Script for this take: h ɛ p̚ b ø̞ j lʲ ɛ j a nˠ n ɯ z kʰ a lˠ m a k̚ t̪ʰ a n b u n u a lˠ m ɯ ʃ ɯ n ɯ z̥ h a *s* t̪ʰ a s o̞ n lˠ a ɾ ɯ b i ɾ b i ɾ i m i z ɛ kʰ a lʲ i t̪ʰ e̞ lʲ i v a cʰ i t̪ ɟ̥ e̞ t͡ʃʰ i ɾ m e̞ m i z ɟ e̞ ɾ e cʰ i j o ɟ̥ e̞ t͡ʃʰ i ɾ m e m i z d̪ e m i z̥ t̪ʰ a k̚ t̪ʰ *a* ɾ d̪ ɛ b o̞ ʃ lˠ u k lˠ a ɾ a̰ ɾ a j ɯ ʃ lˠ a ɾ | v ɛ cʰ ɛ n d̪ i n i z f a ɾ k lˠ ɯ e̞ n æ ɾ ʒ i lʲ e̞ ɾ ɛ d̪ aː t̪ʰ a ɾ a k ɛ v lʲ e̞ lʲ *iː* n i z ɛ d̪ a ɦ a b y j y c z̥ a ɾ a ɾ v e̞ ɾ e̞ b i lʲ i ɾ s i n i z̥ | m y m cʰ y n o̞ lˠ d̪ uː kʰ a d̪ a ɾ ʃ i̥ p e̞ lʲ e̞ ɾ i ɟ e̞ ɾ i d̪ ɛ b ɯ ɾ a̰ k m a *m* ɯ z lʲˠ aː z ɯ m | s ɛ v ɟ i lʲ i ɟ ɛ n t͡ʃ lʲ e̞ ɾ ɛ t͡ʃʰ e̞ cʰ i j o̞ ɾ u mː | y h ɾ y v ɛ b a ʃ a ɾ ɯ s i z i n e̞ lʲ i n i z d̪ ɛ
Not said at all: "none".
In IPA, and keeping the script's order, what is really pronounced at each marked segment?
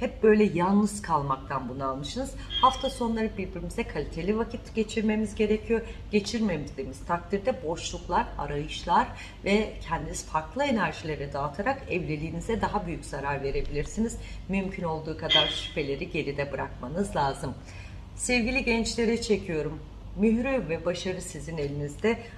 f, i, iː, n

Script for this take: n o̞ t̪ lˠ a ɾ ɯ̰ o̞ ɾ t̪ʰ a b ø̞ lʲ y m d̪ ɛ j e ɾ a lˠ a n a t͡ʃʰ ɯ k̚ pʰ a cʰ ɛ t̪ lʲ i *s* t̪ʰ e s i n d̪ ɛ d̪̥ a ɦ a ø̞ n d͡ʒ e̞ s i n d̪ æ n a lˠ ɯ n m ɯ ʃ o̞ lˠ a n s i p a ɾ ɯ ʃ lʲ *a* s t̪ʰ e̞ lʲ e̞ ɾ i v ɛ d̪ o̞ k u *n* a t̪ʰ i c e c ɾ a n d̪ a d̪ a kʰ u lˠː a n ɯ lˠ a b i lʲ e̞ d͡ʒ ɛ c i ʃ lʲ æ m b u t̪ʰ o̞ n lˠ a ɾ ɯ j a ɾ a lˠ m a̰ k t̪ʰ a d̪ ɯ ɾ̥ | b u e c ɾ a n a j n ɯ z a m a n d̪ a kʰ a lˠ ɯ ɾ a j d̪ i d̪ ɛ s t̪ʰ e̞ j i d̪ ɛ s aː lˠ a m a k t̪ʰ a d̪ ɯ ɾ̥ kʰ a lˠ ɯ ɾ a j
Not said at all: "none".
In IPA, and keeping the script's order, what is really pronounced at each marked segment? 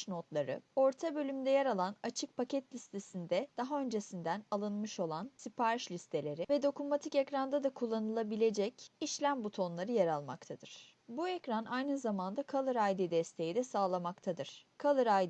s, i, m

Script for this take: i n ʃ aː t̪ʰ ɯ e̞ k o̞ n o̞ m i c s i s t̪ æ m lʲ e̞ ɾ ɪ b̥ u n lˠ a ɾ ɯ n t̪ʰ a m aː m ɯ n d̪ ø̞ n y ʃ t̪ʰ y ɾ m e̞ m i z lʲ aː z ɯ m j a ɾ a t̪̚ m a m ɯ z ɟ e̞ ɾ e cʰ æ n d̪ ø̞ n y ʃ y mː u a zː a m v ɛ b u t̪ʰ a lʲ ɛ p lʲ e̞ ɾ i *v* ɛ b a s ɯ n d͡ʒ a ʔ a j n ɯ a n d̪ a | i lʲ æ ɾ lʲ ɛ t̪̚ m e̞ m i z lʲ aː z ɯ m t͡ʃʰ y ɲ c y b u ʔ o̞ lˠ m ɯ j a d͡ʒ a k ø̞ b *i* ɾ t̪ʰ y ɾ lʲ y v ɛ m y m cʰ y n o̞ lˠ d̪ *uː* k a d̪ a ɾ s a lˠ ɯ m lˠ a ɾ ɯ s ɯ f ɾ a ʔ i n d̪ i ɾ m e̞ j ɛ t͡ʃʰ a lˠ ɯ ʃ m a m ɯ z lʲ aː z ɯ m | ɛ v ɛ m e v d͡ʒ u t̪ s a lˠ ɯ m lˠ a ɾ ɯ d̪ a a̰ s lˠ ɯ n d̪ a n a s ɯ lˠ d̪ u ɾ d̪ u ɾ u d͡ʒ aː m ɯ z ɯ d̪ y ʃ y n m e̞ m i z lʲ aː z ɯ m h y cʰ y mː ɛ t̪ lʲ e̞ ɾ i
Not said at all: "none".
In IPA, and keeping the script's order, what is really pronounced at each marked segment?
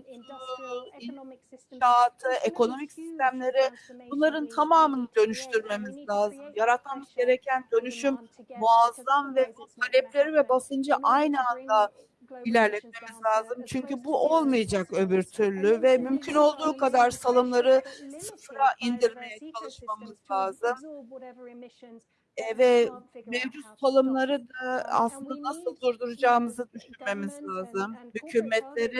v, y, uː

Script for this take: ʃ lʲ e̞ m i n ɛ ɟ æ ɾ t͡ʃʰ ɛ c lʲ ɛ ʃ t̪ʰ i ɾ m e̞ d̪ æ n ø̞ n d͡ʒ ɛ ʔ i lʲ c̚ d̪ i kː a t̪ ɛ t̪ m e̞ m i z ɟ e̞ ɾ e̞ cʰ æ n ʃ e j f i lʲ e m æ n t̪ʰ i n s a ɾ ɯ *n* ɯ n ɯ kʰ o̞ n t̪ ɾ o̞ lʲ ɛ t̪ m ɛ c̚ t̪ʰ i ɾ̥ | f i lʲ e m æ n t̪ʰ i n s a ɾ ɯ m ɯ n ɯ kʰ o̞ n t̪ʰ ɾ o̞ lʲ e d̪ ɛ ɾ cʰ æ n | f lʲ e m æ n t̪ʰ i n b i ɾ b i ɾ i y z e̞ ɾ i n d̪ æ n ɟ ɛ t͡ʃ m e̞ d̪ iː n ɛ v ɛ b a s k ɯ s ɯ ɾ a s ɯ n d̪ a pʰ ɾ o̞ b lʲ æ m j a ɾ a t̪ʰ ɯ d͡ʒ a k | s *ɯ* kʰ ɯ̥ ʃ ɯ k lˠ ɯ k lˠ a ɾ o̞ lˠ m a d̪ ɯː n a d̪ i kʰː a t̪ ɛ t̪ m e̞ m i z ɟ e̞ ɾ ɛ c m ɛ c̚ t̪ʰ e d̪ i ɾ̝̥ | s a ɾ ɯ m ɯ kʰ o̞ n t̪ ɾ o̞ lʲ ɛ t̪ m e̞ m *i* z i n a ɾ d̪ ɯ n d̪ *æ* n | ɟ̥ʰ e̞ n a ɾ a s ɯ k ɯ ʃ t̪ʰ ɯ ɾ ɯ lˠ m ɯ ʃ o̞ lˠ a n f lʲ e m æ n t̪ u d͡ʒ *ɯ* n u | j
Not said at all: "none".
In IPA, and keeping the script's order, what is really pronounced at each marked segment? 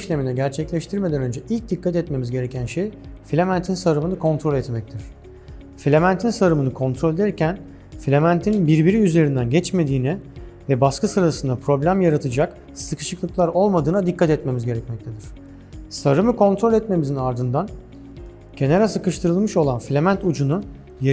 m, ɯ, i, a, u

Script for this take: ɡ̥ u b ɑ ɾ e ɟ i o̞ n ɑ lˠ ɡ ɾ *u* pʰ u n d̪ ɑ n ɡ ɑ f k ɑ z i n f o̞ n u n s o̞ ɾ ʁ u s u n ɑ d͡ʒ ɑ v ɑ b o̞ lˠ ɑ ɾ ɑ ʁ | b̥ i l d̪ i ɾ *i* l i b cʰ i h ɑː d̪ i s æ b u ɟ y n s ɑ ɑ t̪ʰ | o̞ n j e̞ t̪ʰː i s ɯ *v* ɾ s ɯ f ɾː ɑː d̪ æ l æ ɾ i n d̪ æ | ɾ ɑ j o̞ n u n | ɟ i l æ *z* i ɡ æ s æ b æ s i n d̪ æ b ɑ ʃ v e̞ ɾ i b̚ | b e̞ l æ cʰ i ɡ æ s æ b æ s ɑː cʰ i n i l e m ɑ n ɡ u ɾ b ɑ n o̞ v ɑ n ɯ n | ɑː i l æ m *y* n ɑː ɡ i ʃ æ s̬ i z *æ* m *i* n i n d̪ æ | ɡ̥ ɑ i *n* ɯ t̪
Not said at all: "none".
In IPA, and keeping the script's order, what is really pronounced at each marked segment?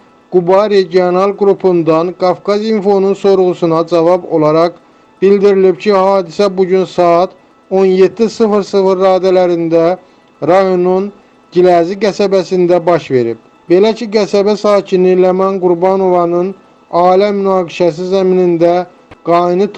u, i, f, z, y, æ, i, n

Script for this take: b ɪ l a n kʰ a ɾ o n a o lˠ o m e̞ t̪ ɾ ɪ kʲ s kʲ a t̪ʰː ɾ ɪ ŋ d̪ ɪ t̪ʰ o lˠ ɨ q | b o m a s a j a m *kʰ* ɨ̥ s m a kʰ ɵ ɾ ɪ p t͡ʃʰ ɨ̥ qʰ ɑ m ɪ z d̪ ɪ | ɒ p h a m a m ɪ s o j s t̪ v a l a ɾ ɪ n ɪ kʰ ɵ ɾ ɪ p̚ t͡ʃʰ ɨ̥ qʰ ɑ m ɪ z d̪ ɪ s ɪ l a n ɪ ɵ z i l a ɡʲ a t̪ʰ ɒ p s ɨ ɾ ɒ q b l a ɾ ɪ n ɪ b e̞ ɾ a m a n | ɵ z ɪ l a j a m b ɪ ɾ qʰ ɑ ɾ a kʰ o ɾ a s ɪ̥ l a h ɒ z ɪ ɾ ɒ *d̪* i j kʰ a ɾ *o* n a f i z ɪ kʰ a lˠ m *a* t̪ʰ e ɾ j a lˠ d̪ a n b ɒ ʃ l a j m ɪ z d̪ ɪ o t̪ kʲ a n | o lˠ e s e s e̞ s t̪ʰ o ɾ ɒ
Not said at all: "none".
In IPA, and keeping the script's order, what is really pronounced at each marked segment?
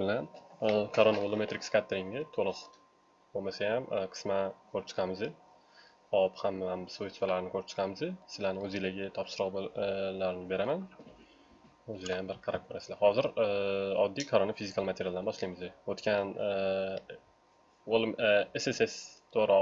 qʰ, d̪ː, o, a

